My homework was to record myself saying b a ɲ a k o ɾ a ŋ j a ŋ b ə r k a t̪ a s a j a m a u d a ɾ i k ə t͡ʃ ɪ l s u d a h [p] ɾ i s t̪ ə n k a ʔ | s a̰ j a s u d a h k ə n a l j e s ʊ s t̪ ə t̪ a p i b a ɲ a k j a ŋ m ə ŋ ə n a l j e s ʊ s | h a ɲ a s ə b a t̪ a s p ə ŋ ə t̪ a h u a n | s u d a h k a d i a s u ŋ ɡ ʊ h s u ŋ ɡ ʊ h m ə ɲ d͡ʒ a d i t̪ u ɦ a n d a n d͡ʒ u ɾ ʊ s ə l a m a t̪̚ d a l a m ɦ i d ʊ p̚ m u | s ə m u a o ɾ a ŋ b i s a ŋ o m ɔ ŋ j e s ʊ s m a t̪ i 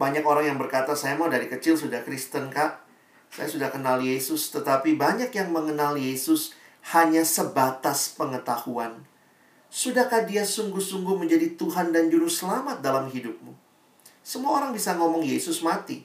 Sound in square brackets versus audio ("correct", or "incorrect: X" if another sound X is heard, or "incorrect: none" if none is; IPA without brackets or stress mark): incorrect: k